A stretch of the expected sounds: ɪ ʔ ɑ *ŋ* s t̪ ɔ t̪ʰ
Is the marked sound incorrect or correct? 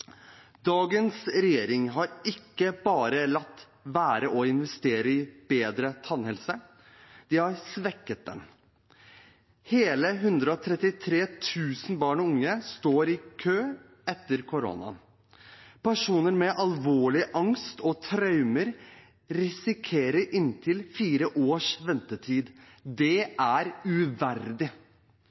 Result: correct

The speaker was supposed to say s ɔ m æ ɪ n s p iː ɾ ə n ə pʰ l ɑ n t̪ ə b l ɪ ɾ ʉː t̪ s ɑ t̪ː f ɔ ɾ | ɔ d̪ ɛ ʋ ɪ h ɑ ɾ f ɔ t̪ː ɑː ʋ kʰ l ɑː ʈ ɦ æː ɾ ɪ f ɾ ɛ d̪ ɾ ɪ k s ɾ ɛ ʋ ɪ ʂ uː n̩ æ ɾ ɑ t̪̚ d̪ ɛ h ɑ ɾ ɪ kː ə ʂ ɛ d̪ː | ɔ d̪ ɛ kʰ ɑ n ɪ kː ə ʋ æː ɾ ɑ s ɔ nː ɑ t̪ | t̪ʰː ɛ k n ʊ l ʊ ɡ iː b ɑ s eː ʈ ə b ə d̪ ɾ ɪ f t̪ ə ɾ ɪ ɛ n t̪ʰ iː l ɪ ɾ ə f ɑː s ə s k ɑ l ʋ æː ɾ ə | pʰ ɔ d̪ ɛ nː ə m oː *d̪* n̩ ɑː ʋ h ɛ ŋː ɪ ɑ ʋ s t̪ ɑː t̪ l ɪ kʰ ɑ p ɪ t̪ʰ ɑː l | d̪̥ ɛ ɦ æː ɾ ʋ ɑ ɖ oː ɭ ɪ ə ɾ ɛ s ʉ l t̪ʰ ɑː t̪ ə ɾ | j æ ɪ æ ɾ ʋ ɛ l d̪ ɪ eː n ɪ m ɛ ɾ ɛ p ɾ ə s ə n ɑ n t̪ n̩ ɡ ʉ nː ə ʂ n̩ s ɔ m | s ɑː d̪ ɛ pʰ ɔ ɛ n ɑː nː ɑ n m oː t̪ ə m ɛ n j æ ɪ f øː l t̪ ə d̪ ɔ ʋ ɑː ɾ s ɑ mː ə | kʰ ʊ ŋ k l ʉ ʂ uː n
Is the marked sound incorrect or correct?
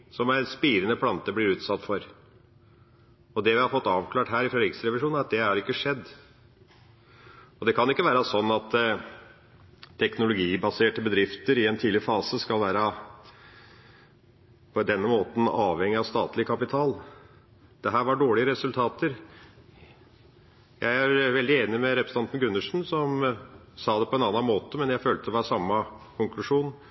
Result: incorrect: t̪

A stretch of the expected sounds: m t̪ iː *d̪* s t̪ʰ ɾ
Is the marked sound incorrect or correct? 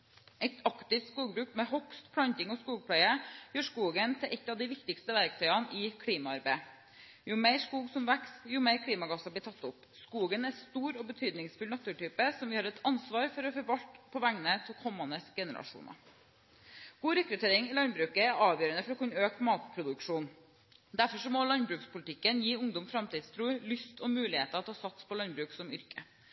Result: correct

